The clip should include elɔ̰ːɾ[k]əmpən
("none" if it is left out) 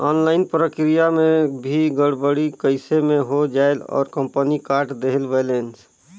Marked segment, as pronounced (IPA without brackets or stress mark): k